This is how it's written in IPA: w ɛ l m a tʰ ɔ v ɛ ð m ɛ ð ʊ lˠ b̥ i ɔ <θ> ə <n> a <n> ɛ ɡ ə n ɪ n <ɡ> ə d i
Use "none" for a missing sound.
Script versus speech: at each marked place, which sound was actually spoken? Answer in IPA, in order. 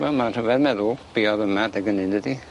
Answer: ð, m, d, d

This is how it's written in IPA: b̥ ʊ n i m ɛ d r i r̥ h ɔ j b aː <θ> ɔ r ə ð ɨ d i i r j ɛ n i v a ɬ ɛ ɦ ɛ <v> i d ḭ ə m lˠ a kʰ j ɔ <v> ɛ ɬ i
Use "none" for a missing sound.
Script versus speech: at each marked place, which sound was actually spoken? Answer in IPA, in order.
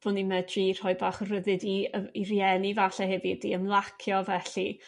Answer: χ, v, v

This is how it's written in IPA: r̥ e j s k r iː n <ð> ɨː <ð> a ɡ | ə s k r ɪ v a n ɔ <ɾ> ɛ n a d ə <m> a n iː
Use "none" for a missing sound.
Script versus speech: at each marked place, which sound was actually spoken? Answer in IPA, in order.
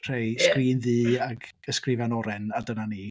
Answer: ð, none, ɾ, n

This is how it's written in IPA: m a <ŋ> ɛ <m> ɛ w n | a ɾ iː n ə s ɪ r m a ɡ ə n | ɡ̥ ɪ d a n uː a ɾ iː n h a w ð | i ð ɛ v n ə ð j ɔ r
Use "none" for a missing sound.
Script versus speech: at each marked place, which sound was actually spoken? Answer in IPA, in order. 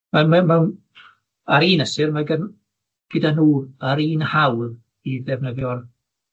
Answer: m, m

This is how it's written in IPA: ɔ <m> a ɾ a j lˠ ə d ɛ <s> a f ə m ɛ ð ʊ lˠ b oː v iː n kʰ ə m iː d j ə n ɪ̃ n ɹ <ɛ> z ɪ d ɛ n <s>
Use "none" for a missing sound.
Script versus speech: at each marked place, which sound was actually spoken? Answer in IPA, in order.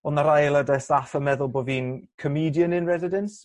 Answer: n, s, ɛ, s

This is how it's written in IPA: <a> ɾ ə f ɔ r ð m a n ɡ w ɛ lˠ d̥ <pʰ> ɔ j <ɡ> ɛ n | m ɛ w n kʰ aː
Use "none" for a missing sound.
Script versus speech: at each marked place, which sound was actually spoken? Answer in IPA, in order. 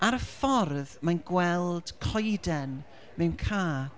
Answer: a, kʰ, d

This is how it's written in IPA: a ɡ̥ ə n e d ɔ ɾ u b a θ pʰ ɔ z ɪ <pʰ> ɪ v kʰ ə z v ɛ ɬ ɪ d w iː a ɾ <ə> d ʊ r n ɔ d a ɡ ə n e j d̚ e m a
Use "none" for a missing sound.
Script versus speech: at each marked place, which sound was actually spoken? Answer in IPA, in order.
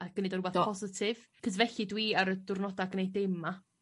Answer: tʰ, ə

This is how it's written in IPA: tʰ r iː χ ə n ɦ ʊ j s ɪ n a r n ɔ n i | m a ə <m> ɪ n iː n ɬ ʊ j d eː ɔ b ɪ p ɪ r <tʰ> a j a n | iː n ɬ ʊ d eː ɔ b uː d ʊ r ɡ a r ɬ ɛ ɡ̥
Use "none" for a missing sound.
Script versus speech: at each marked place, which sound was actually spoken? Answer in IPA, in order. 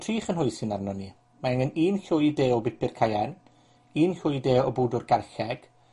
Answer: ŋ, kʰ

